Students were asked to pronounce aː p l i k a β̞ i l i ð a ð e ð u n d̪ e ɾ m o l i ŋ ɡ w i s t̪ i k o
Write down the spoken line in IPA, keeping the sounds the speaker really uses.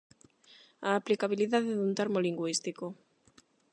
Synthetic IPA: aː p l i k a β̞ i l i ð a ð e ð u n t̪ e ɾ m o l i ŋ ɡ w i s t̪ i k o